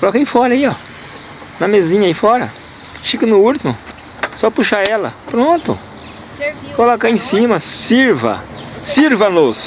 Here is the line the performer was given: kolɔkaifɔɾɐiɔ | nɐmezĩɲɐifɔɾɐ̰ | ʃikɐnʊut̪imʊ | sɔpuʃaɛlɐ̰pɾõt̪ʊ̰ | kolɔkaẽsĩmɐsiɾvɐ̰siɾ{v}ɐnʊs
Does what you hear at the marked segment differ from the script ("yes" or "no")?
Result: no